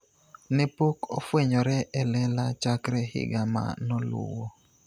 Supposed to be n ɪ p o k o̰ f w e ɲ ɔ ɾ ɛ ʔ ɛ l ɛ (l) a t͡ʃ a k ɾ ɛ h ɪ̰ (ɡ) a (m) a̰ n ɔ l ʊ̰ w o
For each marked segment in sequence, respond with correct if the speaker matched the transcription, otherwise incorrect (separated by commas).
correct, correct, correct